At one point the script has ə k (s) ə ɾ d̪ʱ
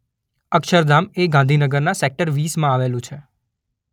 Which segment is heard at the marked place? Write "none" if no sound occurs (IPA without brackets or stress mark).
ʃ